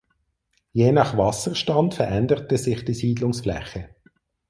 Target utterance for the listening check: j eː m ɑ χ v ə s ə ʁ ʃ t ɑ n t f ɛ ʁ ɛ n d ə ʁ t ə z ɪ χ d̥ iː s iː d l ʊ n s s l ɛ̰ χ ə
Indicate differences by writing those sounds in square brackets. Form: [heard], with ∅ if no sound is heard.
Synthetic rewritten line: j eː [n] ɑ χ v [ɑ] s ə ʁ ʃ t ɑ n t f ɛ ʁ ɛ n d ə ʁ t ə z ɪ χ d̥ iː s iː d l ʊ [ŋ] s [f] l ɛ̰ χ ə

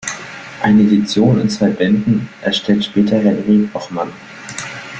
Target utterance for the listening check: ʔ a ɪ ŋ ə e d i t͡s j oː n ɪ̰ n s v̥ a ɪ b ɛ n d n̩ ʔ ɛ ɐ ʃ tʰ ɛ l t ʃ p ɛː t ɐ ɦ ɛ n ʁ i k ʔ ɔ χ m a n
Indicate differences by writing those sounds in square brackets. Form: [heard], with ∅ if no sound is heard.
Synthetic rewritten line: ʔ a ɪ [n] ə e d i t͡s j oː n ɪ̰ n [t͡s] v̥ a ɪ b ɛ n d n̩ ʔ ɛ ɐ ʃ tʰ ɛ l t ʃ p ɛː t ɐ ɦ ɛ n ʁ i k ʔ ɔ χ m a n

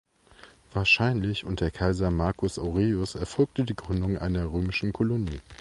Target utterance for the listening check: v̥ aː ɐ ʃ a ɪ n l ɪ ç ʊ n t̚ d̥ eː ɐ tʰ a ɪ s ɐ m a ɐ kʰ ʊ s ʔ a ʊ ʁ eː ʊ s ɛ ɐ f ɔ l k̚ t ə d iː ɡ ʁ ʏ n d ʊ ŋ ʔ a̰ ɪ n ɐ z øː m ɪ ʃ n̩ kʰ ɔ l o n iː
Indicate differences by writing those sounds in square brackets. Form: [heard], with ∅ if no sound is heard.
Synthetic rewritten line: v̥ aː ɐ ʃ a ɪ n l ɪ ç ʊ n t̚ d̥ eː ɐ [kʰ] a ɪ [z] ɐ m a ɐ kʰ ʊ s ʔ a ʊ ʁ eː ʊ s ɛ ɐ f ɔ l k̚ t ə d iː ɡ ʁ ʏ n d ʊ ŋ ʔ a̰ ɪ n ɐ [ʁ] øː m ɪ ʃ n̩ kʰ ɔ l o n iː

